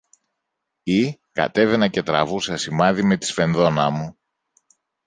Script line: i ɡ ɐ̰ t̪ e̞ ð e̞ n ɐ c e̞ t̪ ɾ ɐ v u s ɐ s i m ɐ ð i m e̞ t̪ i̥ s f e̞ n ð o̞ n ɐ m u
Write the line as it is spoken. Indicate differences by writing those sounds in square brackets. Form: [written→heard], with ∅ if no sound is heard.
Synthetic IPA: i [ɡ→k] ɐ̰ t̪ e̞ [ð→v] e̞ n ɐ c e̞ t̪ ɾ ɐ v u s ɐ s i m ɐ ð i m e̞ t̪ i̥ s f e̞ n ð o̞ n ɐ m u